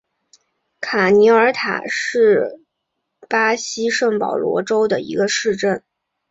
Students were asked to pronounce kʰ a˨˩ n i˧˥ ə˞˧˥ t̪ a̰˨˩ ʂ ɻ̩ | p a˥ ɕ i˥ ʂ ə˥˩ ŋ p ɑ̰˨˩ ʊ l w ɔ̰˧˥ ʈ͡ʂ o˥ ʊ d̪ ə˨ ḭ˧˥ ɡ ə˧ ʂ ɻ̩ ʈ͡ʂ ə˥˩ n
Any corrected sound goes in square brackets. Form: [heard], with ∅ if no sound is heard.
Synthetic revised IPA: kʰ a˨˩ n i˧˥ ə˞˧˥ [t̪ʰ] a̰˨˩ ʂ ɻ̩ | p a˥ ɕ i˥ ʂ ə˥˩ ŋ p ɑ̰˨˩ ʊ l w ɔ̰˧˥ ʈ͡ʂ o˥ ʊ d̪ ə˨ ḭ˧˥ ɡ ə˧ ʂ ɻ̩ ʈ͡ʂ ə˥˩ n